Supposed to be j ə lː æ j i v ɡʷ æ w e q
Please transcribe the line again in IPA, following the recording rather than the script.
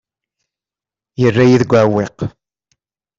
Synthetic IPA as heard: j ə rː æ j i ð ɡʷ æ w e q